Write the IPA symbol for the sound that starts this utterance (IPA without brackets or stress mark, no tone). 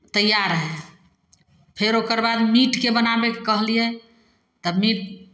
t̪